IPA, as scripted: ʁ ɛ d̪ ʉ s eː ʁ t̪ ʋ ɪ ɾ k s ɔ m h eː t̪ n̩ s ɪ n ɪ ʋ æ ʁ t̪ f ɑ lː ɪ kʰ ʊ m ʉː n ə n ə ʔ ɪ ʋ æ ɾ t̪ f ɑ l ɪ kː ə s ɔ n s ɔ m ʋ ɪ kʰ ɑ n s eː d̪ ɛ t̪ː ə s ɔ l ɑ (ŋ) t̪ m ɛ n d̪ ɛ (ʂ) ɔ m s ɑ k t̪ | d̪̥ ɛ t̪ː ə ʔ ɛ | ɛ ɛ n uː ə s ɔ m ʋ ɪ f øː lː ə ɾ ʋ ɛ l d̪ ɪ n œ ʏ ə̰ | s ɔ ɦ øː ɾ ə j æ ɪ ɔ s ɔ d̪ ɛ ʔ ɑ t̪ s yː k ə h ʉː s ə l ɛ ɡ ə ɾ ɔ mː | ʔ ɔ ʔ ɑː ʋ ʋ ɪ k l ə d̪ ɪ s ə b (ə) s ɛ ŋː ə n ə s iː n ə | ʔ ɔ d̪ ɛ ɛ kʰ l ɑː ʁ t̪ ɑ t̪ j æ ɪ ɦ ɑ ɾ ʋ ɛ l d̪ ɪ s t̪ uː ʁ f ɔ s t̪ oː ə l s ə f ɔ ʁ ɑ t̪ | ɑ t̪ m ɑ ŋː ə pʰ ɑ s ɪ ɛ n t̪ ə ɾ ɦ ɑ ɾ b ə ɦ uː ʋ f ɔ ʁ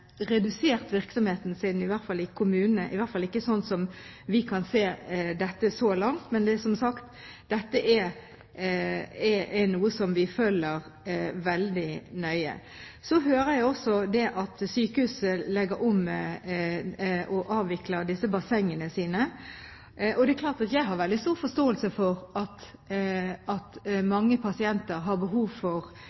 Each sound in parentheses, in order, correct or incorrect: correct, incorrect, incorrect

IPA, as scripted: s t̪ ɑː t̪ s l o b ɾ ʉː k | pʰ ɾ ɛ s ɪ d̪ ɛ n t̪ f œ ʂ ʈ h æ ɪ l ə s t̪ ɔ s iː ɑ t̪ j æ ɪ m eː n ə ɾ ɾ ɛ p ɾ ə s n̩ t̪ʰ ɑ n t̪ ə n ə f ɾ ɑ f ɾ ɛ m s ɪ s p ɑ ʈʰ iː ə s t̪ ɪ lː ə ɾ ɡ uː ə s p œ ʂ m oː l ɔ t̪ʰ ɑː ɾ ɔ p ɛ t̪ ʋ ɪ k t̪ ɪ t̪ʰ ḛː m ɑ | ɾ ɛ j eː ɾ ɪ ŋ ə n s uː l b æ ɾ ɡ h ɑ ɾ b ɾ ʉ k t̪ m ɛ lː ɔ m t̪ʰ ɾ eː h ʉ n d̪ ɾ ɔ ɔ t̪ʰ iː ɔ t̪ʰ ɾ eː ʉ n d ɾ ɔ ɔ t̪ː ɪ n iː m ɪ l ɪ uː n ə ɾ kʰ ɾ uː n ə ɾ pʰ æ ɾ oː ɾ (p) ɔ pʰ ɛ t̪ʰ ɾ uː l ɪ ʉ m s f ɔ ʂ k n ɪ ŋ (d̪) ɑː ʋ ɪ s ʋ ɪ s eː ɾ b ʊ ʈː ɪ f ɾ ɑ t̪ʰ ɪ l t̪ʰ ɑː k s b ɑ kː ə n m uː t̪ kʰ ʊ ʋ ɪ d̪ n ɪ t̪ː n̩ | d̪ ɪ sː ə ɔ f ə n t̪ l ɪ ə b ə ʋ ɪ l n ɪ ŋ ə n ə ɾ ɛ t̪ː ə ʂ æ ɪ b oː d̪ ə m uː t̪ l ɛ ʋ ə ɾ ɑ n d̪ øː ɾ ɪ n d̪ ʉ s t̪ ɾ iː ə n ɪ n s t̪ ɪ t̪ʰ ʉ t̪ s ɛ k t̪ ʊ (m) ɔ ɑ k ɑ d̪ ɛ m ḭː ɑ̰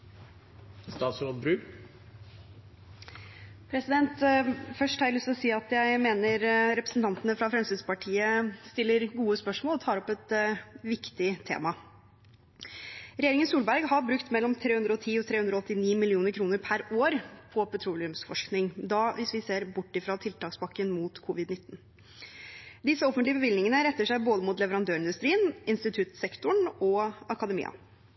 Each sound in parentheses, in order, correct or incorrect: incorrect, correct, incorrect

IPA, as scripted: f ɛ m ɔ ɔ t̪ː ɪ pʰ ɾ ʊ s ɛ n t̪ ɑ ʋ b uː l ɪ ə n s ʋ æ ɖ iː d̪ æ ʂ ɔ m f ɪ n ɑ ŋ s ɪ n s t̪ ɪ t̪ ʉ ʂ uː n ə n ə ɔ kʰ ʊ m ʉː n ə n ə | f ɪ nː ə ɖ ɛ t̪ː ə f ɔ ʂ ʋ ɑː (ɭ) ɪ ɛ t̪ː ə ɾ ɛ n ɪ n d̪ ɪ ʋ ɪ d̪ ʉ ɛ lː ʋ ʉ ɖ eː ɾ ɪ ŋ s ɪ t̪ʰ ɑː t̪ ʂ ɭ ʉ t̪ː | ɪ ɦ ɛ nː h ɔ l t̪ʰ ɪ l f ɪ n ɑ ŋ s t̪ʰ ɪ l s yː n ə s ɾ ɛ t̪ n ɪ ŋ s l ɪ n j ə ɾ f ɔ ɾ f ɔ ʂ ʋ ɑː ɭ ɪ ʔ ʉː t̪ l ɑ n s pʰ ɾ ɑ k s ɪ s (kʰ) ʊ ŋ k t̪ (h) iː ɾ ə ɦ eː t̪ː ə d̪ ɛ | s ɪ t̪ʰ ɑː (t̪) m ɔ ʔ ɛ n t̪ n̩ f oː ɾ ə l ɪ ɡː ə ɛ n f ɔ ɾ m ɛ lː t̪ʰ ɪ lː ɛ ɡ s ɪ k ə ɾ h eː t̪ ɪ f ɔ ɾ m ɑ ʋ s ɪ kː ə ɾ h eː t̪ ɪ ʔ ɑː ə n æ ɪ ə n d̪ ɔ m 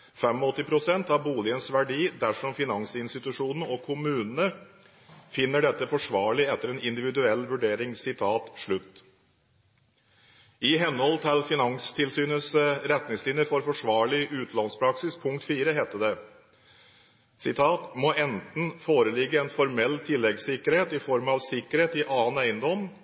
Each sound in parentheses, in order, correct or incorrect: correct, incorrect, incorrect, correct

